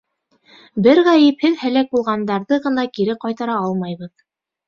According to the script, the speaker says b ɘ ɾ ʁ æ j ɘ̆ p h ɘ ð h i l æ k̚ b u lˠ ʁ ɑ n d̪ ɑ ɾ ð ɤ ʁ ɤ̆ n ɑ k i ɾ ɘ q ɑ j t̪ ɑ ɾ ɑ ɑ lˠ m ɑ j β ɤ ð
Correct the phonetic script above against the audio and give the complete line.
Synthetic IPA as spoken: b ɘ ɾ ʁ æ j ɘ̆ p h ɘ ð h æ l æ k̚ b u lˠ ʁ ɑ n d̪ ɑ ɾ ð ɤ ʁ ɤ̆ n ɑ k i ɾ ɘ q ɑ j t̪ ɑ ɾ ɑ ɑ lˠ m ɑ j β ɤ ð

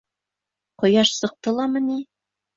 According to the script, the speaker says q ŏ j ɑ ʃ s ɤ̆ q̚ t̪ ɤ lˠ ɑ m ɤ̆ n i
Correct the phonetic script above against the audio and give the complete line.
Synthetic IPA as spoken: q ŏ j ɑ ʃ s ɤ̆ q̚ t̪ ɤ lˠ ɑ m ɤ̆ n i

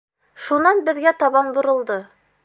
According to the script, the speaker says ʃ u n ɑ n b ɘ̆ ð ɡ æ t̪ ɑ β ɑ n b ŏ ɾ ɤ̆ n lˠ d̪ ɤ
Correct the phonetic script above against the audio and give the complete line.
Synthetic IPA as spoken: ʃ u n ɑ n b ɘ̆ ð ɡ æ t̪ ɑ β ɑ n b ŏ ɾ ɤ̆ lˠ d̪ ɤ

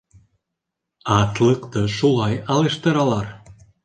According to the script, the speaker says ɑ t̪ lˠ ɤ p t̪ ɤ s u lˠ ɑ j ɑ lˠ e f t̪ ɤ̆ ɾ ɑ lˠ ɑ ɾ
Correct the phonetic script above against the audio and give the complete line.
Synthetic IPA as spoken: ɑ t̪ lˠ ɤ q t̪ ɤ ʃ u lˠ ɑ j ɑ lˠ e ʃ t̪ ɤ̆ ɾ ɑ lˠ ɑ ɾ

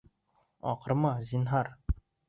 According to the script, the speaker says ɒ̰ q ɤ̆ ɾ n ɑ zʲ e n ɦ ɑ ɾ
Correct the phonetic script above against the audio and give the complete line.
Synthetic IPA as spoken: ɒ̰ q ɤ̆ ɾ m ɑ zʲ i n ɦ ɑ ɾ

